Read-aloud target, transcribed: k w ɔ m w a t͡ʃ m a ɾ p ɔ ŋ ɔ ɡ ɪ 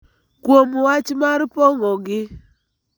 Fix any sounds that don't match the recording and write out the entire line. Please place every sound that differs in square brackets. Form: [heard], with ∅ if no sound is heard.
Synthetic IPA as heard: k w [o] m w a t͡ʃ m a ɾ p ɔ ŋ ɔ ɡ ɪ